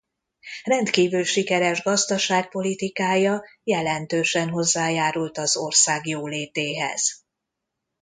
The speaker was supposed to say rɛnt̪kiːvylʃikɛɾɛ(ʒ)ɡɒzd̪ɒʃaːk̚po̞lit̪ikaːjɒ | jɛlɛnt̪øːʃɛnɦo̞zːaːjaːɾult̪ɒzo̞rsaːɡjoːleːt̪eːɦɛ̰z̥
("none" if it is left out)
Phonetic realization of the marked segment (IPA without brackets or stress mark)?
ʒ